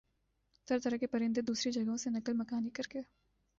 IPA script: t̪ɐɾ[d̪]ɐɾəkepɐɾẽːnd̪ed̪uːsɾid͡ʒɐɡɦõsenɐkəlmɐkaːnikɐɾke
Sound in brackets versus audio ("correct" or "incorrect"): incorrect